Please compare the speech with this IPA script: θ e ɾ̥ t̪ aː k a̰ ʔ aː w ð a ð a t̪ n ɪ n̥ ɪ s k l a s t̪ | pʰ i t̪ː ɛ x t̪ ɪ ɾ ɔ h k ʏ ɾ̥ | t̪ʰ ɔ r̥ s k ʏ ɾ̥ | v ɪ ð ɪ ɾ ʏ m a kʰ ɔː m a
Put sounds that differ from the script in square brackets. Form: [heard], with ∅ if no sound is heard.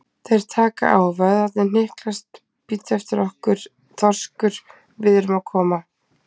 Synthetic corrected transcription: θ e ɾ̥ [t̪ʰ] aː k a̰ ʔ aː w [v] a ð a t̪ n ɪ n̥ ɪ [h] k l a s t̪ | [p] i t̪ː ɛ [f] t̪ ɪ ɾ ɔ h k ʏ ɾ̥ | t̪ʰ ɔ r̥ s k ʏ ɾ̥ | v ɪ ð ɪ ɾ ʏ m a kʰ ɔː m a